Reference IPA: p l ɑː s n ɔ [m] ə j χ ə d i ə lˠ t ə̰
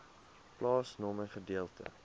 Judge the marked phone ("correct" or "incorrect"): correct